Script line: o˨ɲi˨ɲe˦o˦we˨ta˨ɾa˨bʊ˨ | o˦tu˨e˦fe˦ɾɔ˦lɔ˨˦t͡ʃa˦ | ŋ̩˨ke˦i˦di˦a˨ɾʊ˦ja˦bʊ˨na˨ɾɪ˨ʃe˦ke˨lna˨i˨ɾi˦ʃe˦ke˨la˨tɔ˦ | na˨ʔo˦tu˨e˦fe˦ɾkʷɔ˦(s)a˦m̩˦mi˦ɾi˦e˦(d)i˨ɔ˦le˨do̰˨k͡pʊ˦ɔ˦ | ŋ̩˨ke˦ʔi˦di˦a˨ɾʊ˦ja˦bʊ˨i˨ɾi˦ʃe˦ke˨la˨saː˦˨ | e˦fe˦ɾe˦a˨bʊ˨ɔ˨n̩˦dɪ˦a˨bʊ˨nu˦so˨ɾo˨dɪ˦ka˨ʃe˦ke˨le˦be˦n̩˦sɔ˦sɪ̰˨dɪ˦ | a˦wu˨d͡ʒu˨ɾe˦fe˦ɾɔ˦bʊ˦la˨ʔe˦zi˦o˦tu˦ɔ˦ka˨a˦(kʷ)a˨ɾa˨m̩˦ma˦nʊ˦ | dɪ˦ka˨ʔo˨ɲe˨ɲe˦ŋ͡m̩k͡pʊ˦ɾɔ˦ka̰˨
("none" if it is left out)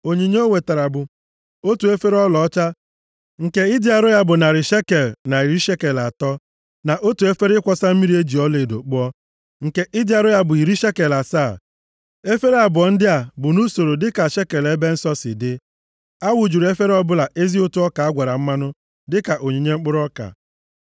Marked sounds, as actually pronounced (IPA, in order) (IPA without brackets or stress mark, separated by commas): s, d͡ʒ, ɡʷ